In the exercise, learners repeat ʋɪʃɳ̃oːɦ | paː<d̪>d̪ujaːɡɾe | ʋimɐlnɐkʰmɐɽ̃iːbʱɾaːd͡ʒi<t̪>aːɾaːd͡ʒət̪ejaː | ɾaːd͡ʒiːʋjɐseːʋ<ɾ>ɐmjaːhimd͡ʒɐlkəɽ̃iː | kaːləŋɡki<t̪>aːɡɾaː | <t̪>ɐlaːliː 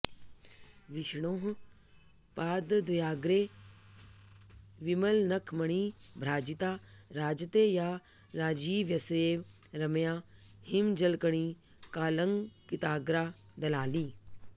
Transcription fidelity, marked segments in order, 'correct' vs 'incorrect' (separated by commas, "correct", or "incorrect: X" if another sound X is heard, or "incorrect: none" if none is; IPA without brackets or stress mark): correct, correct, correct, correct, incorrect: d̪